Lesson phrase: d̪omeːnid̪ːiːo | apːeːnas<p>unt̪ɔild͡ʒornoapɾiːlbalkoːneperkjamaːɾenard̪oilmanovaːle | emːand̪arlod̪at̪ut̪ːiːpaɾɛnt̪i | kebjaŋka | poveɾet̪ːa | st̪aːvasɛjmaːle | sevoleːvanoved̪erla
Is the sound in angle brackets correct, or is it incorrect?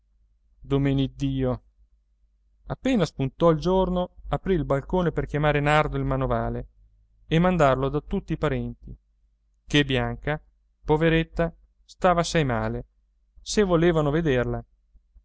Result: correct